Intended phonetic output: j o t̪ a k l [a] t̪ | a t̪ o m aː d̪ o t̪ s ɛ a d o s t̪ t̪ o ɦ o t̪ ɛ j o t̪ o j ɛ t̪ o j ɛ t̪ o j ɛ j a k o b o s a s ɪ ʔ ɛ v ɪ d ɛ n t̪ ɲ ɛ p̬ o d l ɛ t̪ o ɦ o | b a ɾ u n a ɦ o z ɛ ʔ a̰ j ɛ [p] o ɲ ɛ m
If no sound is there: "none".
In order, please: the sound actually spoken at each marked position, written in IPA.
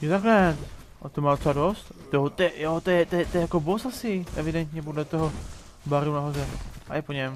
ɛ, p

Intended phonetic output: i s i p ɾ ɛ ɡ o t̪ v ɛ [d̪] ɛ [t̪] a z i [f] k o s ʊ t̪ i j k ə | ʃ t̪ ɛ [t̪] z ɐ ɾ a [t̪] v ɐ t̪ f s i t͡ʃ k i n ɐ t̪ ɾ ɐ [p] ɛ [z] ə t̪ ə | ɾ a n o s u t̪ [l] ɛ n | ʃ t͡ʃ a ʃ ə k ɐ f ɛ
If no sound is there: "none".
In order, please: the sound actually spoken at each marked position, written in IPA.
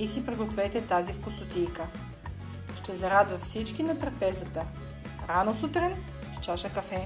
t̪, t̪, f, none, d̪, p, z, ɾ

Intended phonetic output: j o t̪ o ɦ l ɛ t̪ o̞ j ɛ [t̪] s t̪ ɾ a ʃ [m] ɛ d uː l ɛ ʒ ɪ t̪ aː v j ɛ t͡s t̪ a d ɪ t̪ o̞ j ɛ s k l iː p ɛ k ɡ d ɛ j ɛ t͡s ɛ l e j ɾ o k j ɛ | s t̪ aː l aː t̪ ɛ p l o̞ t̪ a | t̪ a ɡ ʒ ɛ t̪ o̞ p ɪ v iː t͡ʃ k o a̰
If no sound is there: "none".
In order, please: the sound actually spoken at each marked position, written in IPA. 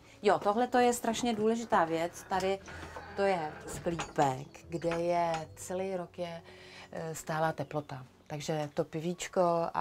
none, ɲ

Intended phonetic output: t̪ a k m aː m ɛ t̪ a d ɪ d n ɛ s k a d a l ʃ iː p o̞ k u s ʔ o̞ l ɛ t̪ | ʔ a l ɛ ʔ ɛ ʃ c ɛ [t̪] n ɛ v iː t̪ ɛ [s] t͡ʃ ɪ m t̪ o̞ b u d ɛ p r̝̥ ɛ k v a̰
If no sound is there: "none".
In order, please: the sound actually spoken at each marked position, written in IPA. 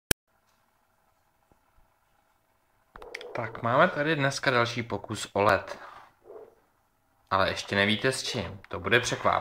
none, s

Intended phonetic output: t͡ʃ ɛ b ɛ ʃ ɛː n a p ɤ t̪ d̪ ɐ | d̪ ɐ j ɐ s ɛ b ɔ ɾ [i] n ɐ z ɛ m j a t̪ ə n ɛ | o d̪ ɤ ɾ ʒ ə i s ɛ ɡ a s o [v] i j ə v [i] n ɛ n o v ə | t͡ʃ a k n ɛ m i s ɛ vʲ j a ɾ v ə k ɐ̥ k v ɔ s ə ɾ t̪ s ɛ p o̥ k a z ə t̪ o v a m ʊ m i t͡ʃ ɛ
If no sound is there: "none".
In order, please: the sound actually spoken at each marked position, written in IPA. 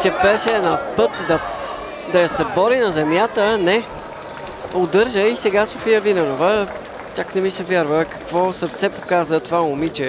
i, f, i

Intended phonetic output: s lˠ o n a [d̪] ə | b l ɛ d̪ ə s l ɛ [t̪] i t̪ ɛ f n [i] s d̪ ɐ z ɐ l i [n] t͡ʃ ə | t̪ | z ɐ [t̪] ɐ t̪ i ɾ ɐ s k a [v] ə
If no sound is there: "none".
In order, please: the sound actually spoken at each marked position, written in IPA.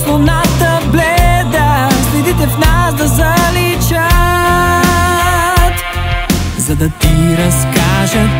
t̪, d̪, a, none, d̪, ʒ

